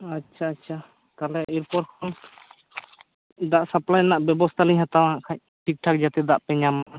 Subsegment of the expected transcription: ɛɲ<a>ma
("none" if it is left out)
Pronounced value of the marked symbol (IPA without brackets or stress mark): a